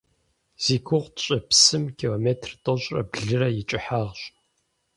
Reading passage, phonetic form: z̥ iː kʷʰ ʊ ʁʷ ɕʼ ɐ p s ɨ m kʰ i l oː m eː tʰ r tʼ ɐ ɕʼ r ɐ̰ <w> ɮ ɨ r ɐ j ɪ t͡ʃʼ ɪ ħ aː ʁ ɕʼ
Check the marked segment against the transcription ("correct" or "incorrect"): incorrect